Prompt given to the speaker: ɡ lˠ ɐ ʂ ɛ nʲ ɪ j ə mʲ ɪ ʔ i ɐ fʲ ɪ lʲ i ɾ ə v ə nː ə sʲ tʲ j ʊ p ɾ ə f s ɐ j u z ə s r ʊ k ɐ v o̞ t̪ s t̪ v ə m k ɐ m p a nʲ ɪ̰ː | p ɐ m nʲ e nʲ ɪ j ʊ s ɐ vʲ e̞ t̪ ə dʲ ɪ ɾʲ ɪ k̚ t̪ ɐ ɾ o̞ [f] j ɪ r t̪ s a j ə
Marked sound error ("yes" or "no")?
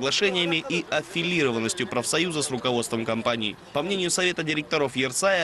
no